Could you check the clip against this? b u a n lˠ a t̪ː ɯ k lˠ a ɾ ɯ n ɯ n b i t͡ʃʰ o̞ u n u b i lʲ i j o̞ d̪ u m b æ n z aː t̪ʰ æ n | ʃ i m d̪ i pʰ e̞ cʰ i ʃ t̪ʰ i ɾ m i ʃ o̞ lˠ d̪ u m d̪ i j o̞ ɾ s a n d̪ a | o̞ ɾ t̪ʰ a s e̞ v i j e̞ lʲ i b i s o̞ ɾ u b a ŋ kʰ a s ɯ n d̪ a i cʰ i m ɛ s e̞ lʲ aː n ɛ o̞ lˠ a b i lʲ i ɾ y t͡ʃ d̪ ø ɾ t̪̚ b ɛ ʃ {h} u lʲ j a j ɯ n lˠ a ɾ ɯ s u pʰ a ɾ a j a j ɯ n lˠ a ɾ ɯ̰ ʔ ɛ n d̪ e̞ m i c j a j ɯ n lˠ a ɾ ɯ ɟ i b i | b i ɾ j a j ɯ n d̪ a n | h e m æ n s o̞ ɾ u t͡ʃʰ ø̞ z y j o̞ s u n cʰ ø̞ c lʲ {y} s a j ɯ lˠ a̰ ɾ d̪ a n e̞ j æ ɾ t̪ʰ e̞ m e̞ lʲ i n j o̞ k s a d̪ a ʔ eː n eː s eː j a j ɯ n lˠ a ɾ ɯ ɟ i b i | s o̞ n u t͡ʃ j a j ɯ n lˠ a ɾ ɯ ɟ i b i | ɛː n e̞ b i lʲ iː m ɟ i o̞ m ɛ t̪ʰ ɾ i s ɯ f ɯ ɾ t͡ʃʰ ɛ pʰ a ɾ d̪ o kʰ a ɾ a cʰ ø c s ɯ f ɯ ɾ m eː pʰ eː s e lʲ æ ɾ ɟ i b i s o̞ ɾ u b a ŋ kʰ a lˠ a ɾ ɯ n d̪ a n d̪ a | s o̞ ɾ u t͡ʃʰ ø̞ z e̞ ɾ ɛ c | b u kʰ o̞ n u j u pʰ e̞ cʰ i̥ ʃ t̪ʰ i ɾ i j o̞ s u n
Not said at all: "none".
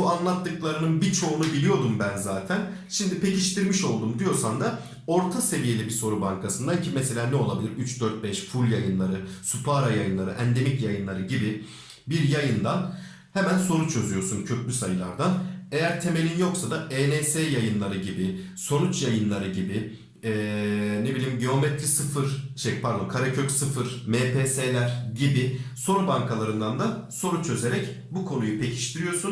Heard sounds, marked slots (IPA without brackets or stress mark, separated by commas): f, y